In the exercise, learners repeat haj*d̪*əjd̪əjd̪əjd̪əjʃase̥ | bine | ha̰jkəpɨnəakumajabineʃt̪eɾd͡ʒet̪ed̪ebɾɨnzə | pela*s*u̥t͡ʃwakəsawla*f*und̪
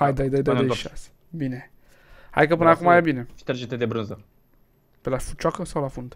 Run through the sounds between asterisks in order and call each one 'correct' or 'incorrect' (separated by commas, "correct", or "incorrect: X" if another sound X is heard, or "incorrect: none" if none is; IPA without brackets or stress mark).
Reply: correct, incorrect: f, correct